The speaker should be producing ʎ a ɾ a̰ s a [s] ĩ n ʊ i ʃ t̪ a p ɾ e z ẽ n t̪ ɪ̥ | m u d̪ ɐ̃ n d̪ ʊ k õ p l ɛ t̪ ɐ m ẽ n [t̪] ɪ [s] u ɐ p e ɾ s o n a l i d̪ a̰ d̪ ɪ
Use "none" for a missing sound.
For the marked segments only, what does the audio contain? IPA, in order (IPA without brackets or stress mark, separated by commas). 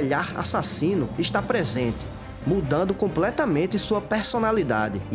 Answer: s, t̪, s